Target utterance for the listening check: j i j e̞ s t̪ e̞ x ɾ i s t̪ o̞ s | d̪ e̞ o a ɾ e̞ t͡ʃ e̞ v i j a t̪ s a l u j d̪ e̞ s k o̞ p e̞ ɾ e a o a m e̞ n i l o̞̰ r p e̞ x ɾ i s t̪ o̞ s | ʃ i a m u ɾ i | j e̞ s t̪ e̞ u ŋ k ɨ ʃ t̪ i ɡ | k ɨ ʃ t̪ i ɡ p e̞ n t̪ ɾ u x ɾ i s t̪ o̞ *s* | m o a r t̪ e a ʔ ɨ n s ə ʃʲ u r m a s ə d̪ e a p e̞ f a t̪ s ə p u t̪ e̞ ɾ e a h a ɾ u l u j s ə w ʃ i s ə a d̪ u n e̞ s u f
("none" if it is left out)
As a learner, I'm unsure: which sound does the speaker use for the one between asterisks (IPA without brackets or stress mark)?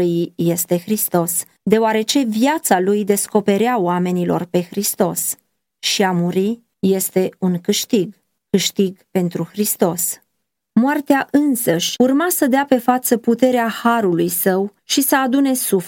s